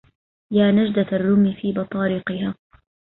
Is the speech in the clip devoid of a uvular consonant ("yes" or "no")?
no